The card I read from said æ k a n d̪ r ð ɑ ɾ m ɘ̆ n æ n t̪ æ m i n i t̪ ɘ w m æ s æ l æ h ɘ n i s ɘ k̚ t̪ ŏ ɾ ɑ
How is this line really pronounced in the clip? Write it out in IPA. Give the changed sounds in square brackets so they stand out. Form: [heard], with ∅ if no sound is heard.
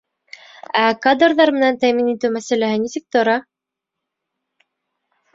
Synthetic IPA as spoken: æ k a [∅] d̪ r ð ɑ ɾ m ɘ̆ n æ n t̪ æ m i n i t̪ ɘ w m æ s æ l æ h ɘ n i s ɘ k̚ t̪ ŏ ɾ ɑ